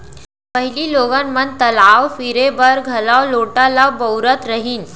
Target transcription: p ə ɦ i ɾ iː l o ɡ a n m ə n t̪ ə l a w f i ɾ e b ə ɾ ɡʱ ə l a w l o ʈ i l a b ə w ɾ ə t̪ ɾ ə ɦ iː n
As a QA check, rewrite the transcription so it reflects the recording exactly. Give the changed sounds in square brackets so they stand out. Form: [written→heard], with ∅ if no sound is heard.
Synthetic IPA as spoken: p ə ɦ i [ɾ→l] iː l o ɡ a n m ə n t̪ ə l a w f i ɾ e b ə ɾ ɡʱ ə l a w l o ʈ [i→a] l a b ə w ɾ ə t̪ ɾ ə ɦ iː n